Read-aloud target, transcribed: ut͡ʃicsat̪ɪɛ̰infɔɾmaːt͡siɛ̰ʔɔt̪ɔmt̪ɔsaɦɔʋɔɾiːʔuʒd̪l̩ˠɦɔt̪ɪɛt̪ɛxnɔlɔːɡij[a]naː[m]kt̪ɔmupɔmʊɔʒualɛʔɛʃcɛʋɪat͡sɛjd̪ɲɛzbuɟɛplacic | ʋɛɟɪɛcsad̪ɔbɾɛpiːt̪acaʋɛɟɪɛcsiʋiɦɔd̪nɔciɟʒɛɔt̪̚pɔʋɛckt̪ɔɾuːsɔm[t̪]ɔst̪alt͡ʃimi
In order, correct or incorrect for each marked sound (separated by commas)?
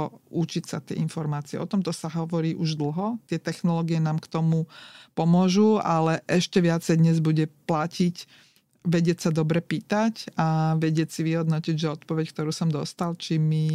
incorrect, correct, incorrect